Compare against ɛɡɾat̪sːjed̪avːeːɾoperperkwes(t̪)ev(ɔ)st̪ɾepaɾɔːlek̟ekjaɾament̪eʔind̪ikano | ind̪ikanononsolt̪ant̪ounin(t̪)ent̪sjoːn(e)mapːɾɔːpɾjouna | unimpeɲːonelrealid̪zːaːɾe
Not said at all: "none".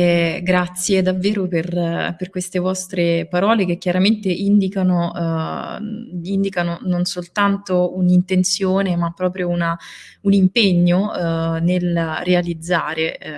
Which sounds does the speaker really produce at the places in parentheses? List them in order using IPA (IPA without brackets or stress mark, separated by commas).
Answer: t̪, ɔ, t̪, e